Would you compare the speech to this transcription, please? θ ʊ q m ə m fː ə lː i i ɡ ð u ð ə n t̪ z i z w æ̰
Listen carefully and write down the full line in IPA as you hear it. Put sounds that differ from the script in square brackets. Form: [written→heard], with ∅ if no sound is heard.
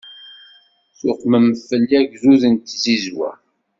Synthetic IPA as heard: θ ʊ q m ə m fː ə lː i [i→æ] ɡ [ð→z] u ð ə n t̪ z i z w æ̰